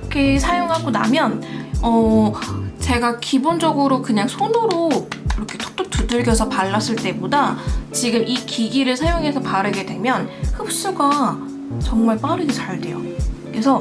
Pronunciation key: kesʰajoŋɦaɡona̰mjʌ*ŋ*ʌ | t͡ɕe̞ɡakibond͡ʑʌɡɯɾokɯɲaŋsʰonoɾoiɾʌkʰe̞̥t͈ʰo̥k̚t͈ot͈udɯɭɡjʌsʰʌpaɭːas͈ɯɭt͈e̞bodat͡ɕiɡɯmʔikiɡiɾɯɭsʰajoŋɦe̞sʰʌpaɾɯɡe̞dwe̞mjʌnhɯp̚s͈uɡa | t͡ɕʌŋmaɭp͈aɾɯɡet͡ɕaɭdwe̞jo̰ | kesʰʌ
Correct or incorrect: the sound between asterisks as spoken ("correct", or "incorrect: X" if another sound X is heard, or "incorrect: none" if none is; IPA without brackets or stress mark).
incorrect: n